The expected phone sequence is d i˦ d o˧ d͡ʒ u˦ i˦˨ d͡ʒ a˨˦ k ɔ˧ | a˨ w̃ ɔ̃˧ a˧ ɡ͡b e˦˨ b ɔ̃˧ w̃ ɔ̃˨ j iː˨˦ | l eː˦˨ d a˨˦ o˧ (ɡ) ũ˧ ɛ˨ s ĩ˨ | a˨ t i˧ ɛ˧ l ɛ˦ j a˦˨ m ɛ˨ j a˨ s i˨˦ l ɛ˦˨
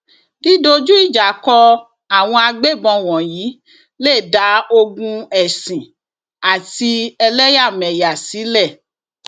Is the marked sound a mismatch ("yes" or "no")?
no